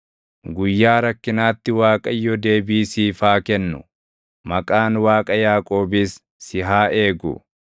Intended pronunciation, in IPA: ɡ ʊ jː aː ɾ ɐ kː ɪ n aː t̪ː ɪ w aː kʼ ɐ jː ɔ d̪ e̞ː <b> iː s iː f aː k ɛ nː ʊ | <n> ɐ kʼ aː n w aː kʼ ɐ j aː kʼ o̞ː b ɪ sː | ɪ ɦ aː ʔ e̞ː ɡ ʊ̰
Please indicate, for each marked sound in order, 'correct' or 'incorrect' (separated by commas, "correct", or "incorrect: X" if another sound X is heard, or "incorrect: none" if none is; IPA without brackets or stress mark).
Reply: correct, incorrect: m